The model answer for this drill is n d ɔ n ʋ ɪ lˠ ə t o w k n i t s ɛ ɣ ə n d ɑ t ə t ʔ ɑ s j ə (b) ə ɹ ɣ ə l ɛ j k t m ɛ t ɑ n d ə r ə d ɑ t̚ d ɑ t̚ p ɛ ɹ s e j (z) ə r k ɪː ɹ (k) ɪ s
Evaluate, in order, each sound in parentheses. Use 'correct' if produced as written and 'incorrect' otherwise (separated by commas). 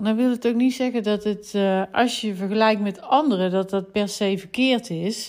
incorrect, incorrect, incorrect